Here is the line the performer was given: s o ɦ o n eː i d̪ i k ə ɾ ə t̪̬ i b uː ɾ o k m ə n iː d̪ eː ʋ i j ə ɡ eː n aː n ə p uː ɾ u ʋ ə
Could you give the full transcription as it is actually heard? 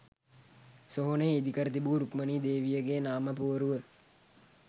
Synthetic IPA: s o ɦ o n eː i d̪ i k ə ɾ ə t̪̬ i b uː ɾ u k m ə n iː d̪ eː ʋ i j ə ɡ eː n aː m ə p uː ɾ u ʋ ə

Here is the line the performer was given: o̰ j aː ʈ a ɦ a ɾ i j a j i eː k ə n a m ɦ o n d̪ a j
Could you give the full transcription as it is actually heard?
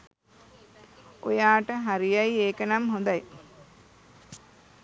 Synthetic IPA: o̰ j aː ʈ ə ɦ a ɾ i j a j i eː k ə n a m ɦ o n d̪ a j

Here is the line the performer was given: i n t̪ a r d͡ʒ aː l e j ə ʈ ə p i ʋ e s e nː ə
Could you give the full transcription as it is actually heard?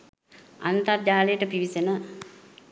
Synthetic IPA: a n t̪ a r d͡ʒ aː l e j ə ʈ ə p i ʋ i s e n ə

